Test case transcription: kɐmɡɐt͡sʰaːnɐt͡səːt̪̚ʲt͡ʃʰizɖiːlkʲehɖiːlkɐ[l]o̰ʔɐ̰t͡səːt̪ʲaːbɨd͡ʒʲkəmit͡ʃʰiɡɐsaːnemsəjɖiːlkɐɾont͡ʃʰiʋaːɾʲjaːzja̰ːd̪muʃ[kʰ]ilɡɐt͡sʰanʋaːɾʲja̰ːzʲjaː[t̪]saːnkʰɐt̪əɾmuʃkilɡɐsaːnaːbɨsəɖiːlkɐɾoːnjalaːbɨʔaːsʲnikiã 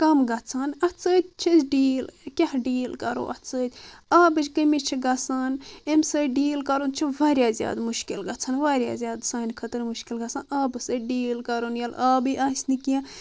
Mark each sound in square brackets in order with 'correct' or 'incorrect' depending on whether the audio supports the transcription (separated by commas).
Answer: incorrect, incorrect, incorrect